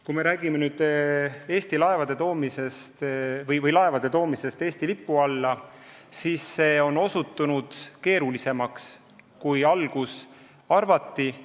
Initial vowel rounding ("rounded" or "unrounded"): rounded